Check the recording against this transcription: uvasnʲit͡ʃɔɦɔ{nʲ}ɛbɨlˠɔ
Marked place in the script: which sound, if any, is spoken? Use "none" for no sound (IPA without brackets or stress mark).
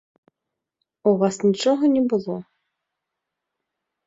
nʲ